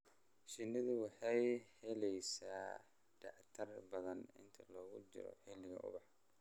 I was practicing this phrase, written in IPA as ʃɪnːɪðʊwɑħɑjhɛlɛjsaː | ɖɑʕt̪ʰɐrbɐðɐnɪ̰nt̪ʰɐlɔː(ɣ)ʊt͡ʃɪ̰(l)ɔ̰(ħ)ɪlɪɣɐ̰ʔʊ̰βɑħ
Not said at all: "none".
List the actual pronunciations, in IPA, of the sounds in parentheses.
ɣ, ɾ, ħ

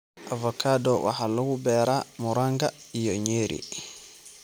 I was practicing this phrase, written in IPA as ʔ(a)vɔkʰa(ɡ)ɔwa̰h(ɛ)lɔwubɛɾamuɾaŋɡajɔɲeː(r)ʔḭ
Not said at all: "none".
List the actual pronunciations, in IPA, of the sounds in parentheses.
a, d, a, ɾ

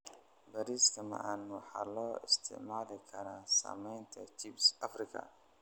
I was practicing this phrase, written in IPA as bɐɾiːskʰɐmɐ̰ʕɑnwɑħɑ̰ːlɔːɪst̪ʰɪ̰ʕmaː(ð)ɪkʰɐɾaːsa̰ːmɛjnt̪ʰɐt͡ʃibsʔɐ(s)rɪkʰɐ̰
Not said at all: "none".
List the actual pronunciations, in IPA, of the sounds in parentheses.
ð, f

